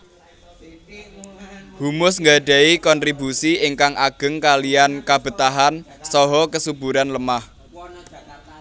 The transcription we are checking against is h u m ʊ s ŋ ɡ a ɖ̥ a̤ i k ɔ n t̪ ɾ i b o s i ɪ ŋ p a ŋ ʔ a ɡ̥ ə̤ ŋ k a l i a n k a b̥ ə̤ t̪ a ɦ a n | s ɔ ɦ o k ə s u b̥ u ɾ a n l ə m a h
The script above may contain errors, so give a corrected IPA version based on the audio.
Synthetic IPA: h u m ʊ s ŋ ɡ a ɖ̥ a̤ i k ɔ n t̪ ɾ i b u s i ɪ ŋ k a ŋ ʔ a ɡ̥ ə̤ ŋ k a l i a n k a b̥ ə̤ t̪ a ɦ a n | s ɔ ɦ ɔ k ə s u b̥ u ɾ a n l ə m a h